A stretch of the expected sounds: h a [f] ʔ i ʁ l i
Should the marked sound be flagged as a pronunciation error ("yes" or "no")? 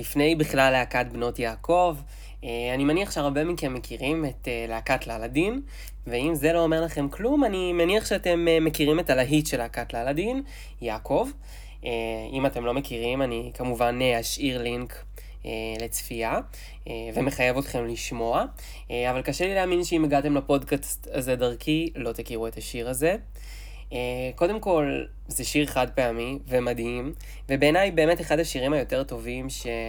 yes